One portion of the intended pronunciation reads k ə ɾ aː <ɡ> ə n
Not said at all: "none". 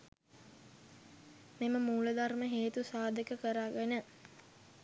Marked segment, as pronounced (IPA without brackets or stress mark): ɡ